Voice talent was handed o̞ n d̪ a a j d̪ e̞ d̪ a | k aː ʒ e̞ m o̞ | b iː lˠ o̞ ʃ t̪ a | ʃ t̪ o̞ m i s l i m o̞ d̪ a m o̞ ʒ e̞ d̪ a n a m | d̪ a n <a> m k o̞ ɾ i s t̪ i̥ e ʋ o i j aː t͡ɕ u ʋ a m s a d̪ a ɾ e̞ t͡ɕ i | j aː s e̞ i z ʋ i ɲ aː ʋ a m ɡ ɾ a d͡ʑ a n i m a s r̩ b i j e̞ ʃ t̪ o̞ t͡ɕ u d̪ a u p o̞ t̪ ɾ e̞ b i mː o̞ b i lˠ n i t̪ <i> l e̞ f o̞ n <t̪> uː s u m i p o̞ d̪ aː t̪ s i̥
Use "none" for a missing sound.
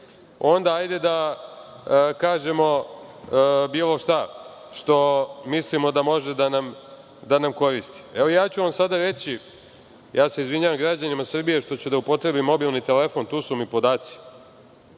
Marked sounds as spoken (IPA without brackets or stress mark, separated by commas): a, e, t̪